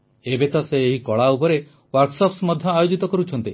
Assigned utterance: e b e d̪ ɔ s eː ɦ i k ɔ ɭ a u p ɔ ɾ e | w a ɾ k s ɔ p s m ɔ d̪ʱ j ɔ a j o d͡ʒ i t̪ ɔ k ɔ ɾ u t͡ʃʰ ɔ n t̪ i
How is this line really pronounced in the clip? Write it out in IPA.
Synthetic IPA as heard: e b e t̪ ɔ s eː ɦ i k ɔ ɭ a u p ɔ ɾ e | w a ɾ k s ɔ p s m ɔ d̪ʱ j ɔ a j o d͡ʒ i t̪ ɔ k ɔ ɾ u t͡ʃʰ ɔ n t̪ i